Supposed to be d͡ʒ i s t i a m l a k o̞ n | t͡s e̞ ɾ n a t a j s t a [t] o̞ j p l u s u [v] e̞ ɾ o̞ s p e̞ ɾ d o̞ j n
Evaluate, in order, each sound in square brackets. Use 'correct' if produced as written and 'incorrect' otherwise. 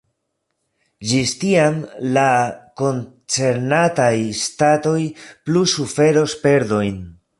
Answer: correct, incorrect: f

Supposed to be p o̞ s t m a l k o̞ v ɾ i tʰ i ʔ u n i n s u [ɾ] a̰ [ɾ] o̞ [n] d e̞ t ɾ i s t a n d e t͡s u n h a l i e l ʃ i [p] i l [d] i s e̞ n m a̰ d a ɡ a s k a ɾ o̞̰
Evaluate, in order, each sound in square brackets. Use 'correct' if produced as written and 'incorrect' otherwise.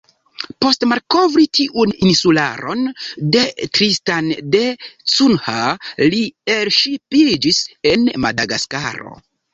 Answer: incorrect: l, correct, correct, correct, incorrect: d͡ʒ

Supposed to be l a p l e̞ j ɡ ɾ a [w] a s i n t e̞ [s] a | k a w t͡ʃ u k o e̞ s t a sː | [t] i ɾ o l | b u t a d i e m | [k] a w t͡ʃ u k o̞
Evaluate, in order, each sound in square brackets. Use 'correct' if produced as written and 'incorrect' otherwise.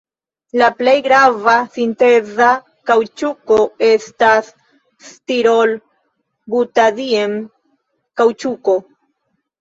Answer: incorrect: v, incorrect: z, correct, correct

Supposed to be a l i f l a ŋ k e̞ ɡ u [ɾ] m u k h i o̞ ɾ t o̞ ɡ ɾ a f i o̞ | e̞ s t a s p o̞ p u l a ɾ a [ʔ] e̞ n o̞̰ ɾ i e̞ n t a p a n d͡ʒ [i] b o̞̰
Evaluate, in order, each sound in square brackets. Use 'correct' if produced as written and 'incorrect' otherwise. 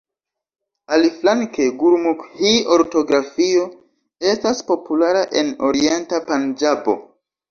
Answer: correct, correct, incorrect: a

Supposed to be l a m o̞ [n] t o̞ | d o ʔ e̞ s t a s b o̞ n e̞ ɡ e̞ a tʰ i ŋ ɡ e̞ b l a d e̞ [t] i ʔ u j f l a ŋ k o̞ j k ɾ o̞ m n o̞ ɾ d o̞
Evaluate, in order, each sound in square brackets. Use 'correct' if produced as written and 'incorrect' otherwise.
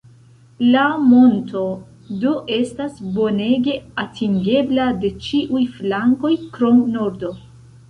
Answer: correct, incorrect: t͡ʃ

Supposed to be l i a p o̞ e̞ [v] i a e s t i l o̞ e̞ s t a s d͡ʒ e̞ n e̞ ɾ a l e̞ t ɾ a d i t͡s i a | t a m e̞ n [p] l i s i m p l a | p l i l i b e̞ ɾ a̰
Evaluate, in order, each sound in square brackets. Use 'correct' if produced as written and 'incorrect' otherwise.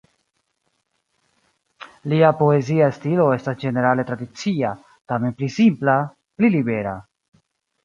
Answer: incorrect: z, correct

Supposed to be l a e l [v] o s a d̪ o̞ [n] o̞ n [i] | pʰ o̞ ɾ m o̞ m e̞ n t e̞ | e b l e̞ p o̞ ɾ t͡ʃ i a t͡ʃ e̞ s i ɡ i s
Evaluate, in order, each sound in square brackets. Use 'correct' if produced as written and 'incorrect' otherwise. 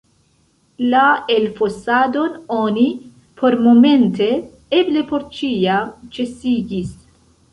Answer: incorrect: f, correct, correct

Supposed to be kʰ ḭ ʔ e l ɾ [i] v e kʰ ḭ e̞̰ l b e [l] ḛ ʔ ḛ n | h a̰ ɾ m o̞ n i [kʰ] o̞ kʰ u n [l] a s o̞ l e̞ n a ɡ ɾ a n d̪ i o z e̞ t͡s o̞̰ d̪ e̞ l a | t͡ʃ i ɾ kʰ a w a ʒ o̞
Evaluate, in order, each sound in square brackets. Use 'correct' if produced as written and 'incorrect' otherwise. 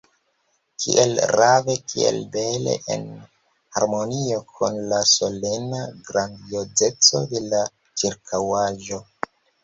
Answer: incorrect: a, correct, incorrect: none, correct

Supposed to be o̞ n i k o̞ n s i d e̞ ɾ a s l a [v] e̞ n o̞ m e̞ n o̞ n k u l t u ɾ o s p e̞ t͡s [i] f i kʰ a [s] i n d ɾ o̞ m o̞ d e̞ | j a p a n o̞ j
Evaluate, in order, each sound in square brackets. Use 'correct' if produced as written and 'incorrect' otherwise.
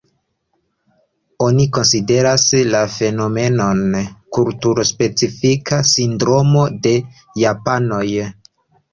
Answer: incorrect: f, correct, correct

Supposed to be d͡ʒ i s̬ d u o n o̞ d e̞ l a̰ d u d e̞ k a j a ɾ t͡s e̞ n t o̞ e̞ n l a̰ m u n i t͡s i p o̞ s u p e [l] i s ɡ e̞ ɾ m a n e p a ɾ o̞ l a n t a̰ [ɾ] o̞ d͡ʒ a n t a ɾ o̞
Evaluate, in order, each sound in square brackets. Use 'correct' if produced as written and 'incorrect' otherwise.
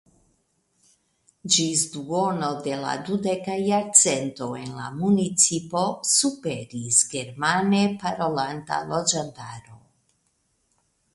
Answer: incorrect: ɾ, incorrect: l

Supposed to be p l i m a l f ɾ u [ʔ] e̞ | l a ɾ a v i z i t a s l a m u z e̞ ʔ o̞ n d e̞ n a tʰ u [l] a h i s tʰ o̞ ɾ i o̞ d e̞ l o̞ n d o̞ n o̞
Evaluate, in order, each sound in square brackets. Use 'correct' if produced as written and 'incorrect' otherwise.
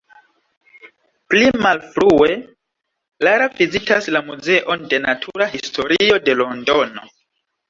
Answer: incorrect: none, incorrect: ɾ

